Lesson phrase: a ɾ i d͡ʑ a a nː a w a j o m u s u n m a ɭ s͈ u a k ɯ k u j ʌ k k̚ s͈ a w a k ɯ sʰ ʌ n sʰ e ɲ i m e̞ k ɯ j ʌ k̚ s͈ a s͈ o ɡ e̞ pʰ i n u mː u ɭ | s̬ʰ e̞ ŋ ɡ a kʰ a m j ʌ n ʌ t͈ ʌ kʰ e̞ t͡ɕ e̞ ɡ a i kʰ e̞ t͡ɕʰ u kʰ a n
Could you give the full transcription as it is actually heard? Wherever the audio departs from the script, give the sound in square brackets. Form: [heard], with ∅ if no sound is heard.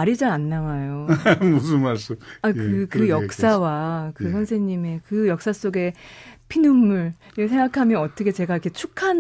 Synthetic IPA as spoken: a ɾ i d͡ʑ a a nː a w a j o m u s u n m a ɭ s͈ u a k ɯ k [ɯ] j ʌ k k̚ s͈ a w a k ɯ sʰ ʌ n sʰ e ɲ i m e̞ k ɯ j ʌ k̚ s͈ a s͈ o ɡ e̞ pʰ i n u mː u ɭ | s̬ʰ e̞ ŋ ɡ a kʰ a m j ʌ n ʌ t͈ ʌ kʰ e̞ t͡ɕ e̞ ɡ a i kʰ e̞ t͡ɕʰ u kʰ a n